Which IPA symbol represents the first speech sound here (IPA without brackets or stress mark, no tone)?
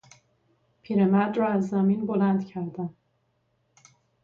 pʰ